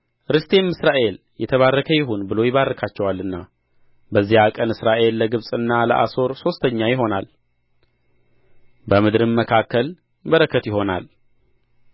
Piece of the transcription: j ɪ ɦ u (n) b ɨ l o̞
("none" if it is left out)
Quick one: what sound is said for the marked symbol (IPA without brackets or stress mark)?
n